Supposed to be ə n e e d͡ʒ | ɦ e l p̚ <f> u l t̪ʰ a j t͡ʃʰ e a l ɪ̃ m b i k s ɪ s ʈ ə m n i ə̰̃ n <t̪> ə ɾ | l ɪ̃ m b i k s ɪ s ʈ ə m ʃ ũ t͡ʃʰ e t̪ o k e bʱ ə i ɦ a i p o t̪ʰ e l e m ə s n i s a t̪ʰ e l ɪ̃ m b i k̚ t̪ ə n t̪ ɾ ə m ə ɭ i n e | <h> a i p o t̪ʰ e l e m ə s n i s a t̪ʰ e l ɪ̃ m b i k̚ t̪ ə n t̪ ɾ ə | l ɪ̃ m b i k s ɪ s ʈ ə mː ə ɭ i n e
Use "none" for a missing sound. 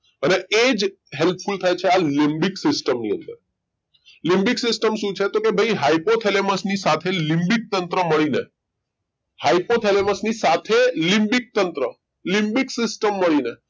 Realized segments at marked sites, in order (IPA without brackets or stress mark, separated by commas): f, d̪, h